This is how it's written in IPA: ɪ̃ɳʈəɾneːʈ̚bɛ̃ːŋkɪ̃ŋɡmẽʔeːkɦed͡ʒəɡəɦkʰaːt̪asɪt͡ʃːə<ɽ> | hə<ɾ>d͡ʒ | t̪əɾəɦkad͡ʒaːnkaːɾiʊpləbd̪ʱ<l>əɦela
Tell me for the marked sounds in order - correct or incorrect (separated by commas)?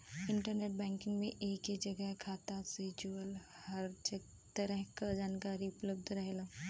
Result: incorrect, correct, incorrect